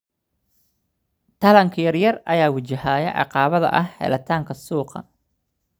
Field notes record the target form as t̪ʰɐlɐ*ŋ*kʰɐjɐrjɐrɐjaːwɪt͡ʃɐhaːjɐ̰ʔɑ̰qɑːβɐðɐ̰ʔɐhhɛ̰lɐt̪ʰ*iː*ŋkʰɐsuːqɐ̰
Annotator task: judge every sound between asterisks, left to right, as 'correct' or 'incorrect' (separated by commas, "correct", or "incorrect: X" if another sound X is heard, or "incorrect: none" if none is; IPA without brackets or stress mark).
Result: correct, incorrect: aː